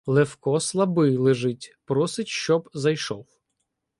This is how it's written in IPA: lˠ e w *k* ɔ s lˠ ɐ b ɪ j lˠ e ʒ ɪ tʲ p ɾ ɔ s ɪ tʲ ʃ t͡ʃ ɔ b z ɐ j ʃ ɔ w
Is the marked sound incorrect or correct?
correct